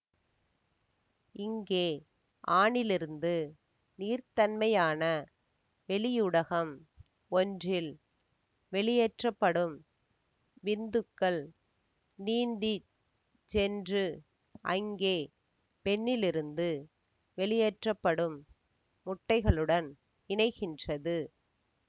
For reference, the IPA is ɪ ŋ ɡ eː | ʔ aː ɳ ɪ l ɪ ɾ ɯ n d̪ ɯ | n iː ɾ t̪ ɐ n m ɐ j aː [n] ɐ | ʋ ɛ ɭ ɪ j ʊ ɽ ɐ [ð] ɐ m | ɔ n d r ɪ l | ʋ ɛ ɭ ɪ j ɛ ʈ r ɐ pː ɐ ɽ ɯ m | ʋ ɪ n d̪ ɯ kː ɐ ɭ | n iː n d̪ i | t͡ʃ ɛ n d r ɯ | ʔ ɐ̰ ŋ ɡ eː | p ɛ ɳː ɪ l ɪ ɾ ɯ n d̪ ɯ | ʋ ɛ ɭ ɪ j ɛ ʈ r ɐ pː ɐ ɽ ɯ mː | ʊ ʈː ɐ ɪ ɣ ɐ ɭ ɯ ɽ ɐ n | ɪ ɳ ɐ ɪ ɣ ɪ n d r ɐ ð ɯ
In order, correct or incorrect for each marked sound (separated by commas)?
correct, incorrect